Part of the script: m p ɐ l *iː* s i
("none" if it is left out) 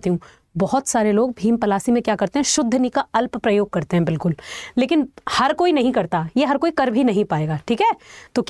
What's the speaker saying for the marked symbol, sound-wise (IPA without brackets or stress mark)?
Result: aː